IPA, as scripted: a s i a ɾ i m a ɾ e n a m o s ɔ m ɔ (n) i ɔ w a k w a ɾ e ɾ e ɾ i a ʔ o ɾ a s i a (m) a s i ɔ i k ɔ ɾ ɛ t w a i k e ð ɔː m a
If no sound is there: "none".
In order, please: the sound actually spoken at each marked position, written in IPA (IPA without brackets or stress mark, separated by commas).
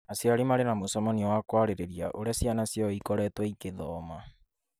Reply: n, n